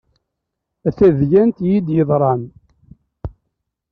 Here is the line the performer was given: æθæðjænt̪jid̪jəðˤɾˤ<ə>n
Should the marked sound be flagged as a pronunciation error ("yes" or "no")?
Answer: yes